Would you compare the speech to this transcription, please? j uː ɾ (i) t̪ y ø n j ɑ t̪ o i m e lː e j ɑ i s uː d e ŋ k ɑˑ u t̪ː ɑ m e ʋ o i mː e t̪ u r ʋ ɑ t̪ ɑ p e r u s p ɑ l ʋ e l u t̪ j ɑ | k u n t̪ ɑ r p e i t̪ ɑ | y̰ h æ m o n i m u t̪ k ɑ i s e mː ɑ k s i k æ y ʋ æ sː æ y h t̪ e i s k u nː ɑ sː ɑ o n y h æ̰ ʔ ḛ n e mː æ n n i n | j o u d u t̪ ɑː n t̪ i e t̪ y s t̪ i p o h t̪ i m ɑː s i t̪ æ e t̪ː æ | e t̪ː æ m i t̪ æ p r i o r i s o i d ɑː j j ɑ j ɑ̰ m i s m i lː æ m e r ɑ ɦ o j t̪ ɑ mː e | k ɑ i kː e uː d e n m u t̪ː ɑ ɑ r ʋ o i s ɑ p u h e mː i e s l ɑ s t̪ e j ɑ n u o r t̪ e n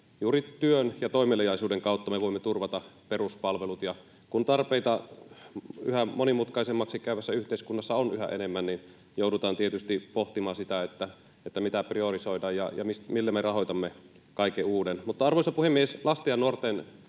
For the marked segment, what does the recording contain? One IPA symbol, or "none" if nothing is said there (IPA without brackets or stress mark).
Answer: i